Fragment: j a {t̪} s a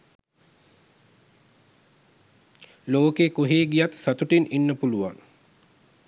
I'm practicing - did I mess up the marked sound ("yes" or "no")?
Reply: no